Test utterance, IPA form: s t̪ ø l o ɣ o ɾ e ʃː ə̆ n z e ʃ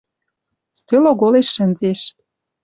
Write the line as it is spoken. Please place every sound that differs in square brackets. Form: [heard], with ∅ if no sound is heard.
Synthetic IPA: s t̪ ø l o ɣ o [l] e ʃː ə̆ n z e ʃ